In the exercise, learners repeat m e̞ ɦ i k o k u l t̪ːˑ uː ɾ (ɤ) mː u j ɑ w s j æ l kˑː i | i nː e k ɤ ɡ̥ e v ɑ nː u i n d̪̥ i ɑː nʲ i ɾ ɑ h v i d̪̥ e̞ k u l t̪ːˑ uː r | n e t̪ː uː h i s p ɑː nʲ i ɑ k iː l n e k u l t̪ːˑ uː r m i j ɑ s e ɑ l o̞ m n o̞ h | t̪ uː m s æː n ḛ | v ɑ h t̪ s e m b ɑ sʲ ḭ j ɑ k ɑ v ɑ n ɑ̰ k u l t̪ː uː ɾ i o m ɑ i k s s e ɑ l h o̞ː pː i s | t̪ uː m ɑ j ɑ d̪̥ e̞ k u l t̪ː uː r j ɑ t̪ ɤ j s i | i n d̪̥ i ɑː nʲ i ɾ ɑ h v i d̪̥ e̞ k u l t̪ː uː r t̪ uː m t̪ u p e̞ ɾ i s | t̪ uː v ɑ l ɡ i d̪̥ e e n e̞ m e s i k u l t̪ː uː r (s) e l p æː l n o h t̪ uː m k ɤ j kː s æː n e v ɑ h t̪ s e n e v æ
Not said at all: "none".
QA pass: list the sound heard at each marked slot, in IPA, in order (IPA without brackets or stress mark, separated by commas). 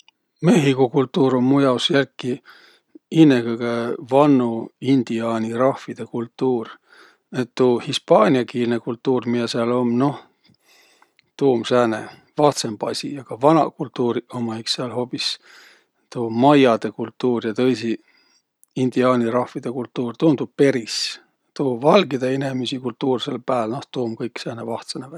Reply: o, s